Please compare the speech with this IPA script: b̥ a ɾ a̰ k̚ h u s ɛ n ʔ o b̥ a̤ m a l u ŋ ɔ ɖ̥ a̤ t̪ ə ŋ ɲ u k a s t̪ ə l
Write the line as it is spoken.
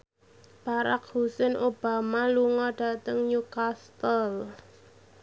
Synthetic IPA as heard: b̥ a ɾ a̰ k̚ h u s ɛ n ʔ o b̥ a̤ m a l u ŋ ɔ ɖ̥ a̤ t̪ ə ŋ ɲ u k a s t̪ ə l